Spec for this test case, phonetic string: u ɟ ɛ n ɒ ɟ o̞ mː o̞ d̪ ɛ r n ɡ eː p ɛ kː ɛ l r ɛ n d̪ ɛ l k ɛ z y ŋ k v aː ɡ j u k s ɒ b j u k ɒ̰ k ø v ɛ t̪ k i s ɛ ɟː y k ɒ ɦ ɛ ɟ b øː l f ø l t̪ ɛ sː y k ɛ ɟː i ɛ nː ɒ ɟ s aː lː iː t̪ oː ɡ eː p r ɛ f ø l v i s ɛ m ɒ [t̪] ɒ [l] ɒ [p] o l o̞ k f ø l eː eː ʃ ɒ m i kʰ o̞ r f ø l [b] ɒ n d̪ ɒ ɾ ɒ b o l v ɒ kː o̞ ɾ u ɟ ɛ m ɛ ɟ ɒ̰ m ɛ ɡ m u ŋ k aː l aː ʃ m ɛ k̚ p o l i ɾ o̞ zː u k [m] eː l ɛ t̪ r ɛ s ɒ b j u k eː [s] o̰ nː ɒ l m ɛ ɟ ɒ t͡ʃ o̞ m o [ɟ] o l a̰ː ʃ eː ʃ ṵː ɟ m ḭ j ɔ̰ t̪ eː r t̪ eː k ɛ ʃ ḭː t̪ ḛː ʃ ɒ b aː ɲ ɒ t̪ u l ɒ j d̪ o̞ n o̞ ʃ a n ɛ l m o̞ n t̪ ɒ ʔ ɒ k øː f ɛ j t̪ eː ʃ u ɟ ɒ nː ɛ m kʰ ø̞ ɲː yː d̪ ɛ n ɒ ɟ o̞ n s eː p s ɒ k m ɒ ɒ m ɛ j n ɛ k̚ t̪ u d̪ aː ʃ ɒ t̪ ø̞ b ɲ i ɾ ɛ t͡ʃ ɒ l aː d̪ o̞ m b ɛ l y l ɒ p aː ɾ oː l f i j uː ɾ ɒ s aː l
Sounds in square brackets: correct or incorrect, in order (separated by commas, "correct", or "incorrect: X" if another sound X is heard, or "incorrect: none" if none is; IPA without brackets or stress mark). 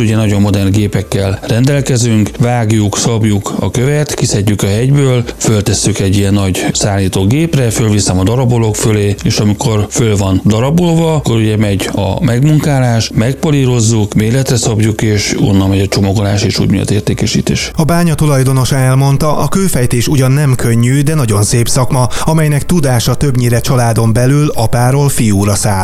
incorrect: d̪, incorrect: ɾ, incorrect: b, incorrect: v, correct, incorrect: ʃ, incorrect: ɡ